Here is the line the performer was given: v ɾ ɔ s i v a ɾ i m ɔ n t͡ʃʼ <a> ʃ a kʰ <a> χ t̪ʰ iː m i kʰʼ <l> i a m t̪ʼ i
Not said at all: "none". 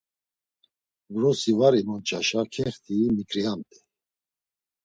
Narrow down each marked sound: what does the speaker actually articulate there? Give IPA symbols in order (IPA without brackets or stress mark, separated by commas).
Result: a, ɛ, ɾ